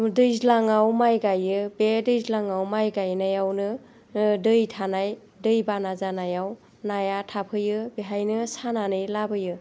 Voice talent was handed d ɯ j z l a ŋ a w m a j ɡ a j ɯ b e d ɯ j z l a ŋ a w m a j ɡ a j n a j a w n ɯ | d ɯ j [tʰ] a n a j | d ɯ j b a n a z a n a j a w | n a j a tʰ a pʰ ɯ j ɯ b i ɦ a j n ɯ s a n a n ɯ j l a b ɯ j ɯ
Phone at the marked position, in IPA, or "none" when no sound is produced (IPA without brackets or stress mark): tʰ